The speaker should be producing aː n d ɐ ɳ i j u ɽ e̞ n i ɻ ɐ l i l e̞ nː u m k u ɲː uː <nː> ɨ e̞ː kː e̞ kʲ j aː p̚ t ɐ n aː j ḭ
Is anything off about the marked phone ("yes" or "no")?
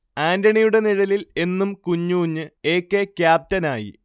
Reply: yes